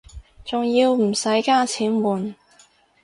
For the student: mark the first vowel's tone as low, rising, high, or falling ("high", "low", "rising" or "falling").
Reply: low